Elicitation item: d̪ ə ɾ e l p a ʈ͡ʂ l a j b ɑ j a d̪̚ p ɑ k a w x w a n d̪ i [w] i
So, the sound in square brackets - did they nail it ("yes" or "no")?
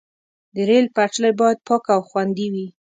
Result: yes